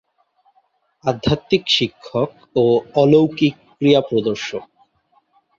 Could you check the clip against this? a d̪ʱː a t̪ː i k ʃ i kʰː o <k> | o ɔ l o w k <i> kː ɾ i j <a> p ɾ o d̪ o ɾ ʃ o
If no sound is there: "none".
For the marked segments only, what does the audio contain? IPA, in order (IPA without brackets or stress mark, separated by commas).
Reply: k, i, a